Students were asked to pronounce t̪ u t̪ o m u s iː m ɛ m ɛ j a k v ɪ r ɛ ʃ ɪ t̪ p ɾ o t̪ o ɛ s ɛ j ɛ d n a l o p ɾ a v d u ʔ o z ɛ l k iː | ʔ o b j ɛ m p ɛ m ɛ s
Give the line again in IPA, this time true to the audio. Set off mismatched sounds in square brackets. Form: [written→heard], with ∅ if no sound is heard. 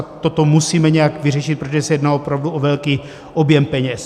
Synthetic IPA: t̪ [u→o] t̪ o m u s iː m ɛ [m→ɲ] ɛ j a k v ɪ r ɛ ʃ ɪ t̪ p ɾ o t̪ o ɛ s ɛ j ɛ d n a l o p ɾ a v d u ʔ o [z→v] ɛ l k iː | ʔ o b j ɛ m p ɛ [m→ɲ] ɛ s